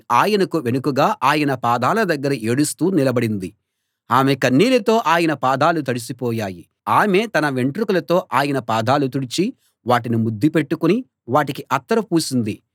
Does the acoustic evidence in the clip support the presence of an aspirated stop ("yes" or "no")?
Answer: no